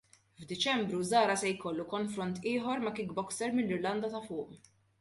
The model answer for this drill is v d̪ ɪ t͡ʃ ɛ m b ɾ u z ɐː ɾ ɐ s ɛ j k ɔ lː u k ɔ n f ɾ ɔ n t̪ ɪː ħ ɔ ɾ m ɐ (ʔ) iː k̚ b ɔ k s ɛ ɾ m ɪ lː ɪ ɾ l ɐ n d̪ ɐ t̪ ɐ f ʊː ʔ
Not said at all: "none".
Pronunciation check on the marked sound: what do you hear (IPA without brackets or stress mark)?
k